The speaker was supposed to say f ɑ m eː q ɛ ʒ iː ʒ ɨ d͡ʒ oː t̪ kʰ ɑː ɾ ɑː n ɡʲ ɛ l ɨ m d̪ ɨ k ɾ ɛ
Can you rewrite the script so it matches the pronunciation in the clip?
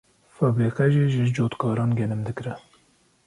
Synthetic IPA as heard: f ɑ b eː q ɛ ʒ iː ʒ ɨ d͡ʒ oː t̪ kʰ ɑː ɾ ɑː n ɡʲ ɛ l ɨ m d̪ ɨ k ɾ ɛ